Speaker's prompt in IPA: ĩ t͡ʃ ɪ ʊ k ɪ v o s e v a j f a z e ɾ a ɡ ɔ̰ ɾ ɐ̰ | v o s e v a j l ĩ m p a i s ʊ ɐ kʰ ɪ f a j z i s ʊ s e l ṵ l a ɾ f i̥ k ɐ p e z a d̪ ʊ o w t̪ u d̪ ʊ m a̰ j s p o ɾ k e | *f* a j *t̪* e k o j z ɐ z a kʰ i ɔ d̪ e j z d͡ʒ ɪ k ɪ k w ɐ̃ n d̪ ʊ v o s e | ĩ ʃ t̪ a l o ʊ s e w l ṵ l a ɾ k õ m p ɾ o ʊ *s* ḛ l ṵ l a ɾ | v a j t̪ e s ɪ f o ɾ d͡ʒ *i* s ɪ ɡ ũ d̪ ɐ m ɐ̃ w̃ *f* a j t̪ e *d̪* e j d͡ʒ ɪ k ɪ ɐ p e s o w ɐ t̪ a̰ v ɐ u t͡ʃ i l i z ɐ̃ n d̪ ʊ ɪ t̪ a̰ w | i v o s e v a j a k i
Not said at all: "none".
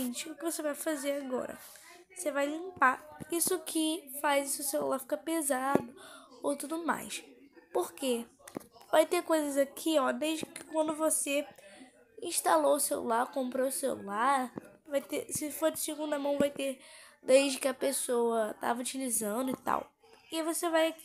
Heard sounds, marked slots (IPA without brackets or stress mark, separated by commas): v, t̪, s, ɪ, v, d̪